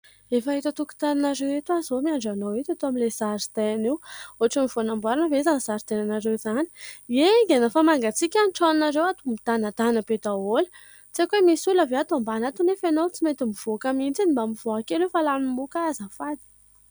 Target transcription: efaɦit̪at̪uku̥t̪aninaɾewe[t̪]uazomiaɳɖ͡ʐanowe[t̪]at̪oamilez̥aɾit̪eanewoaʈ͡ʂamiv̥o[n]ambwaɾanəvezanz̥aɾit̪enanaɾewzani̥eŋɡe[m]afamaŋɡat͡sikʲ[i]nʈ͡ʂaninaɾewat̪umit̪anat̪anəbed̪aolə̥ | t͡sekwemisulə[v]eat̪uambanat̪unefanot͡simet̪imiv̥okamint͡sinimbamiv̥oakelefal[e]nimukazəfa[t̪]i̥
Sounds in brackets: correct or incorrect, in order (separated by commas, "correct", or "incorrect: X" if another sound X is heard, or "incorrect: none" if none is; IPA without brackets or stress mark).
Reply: correct, correct, correct, incorrect: n, incorrect: a, correct, incorrect: a, incorrect: d̪